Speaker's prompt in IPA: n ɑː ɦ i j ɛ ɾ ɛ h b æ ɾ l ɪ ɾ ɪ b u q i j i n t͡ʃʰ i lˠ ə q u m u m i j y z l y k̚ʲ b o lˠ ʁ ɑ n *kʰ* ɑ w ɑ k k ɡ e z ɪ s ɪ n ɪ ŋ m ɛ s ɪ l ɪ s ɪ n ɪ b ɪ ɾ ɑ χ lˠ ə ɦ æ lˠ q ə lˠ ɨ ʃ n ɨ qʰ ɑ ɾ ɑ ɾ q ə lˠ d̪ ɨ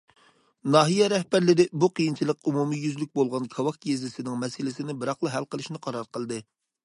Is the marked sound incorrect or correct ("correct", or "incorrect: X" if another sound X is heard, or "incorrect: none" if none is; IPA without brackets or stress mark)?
correct